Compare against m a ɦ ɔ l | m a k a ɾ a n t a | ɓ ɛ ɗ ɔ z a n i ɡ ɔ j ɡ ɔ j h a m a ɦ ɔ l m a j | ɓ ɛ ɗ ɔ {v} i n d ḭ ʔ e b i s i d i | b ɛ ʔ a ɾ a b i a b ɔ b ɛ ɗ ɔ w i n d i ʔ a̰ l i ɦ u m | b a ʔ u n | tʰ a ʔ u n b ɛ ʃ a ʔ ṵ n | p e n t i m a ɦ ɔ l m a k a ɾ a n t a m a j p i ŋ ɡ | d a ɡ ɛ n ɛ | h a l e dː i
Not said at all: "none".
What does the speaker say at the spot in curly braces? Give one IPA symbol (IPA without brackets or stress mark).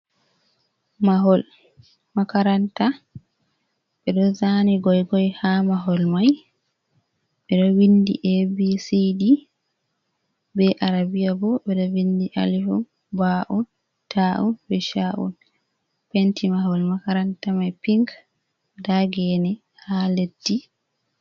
w